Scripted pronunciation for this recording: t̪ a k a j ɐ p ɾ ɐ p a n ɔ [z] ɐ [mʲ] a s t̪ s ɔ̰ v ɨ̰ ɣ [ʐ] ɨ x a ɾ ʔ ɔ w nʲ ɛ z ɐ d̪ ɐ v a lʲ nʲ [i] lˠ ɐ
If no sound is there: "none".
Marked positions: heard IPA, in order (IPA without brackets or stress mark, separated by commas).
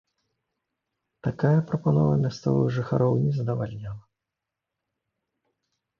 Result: v, mʲ, ʐ, a